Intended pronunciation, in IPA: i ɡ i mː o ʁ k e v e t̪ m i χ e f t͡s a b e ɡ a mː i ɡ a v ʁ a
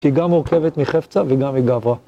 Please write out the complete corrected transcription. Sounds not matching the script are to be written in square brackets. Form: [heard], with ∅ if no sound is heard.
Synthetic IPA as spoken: i ɡ [a] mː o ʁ k e v e t̪ m i χ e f t͡s a [v] e ɡ a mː i ɡ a v ʁ a